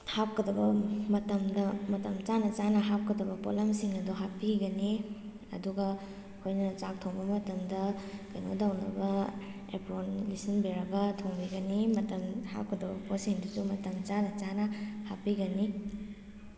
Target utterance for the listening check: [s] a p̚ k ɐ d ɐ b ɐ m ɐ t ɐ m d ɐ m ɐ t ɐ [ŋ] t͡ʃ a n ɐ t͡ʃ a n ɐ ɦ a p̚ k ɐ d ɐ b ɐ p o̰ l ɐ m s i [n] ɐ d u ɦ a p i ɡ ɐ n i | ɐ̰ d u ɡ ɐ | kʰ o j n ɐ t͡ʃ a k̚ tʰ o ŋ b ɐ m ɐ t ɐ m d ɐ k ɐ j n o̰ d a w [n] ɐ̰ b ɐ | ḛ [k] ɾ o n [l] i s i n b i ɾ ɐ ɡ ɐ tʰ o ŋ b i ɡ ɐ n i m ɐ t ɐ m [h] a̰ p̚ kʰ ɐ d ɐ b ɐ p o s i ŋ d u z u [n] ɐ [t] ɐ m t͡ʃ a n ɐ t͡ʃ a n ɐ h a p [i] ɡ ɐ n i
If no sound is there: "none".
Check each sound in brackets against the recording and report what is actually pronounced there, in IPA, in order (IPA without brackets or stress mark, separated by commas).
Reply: h, m, ŋ, n, p, l, h, m, t, i